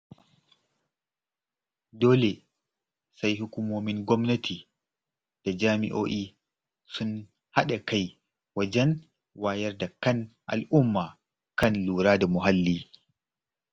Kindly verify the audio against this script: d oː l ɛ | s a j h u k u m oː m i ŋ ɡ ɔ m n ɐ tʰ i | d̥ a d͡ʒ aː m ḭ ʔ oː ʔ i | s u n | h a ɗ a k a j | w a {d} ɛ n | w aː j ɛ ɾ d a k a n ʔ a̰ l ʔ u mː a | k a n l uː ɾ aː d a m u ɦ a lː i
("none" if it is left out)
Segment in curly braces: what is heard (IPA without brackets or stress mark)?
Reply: d͡ʒ